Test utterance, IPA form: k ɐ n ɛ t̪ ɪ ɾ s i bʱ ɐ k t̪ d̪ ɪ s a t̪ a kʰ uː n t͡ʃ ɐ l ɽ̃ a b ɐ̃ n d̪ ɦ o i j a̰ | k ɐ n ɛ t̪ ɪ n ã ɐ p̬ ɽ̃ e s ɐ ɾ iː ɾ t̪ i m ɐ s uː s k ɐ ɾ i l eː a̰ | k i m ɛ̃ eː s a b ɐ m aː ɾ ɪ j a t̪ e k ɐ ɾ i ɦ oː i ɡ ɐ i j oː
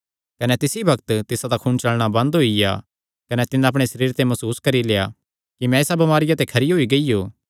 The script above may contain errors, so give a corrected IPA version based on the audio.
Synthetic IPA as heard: k ɐ n ɛ t̪ ɪ s i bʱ ɐ k t̪ t̪ ɪ s a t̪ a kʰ uː n t͡ʃ ɐ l ɽ̃ a b ɐ̃ n d̪ ɦ o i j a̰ | k ɐ n ɛ t̪ ɪ n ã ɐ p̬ ɽ̃ e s ɐ ɾ iː ɾ t̪ e m ɐ s uː s k ɐ ɾ i l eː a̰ | k i m ɛ̃ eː s a b ɐ m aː ɾ ɪ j a t̪ e kʰ ɐ ɾ i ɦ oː i ɡ ɐ i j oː